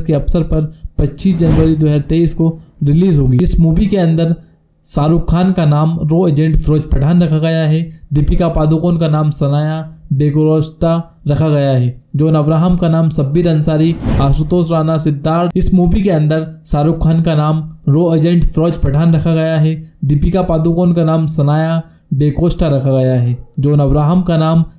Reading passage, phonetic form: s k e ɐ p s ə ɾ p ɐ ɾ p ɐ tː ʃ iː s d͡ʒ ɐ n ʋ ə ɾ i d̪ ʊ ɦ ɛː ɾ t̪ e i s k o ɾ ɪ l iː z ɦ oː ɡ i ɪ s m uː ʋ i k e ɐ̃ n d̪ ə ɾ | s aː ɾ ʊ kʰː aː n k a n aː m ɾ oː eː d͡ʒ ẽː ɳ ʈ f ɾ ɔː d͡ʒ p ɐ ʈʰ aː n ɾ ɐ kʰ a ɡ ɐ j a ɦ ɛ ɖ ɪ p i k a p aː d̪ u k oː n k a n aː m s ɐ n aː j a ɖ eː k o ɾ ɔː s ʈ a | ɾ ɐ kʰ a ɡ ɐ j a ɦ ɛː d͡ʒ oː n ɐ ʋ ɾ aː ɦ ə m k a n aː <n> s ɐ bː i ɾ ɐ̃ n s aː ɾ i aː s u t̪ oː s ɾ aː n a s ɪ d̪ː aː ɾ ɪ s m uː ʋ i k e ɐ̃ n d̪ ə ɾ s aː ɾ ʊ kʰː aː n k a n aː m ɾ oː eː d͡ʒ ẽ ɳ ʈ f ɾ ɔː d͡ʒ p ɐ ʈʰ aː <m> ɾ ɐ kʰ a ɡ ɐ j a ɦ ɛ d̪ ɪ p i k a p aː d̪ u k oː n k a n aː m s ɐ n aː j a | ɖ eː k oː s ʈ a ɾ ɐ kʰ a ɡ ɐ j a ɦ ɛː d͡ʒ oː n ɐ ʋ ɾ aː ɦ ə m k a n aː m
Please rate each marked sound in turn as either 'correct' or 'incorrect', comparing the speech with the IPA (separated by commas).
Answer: incorrect, incorrect